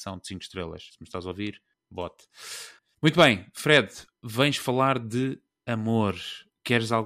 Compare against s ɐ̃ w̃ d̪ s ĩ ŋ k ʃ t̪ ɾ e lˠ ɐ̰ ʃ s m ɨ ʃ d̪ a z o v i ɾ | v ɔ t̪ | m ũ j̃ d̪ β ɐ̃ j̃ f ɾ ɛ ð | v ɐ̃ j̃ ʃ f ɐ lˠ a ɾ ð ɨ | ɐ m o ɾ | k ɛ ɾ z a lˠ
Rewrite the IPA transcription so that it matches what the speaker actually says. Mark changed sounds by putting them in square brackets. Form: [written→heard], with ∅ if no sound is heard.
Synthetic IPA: s ɐ̃ w̃ d̪ s ĩ ŋ k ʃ t̪ ɾ e lˠ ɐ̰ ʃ s m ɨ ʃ [d̪→t̪] a z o v i ɾ | [v→b] ɔ t̪ | m ũ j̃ [d̪→t̪] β ɐ̃ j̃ f ɾ ɛ ð | v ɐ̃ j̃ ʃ f ɐ lˠ a ɾ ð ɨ | ɐ m o ɾ | k ɛ ɾ z a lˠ